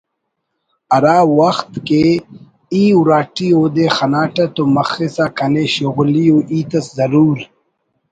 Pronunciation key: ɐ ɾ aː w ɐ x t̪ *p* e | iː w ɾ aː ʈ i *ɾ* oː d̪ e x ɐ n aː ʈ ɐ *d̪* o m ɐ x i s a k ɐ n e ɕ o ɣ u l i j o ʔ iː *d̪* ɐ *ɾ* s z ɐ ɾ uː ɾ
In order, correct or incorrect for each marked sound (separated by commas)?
incorrect, incorrect, incorrect, incorrect, incorrect